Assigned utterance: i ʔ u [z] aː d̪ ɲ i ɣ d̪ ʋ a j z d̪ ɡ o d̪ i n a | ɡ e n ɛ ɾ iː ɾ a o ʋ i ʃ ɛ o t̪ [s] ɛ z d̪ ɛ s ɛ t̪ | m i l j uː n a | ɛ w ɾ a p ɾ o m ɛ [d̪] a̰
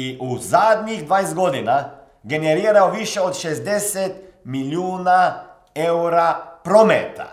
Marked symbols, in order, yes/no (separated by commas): yes, no, no